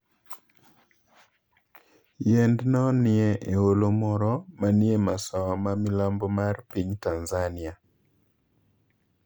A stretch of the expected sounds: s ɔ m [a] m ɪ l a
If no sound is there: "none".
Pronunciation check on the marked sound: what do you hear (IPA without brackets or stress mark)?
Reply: a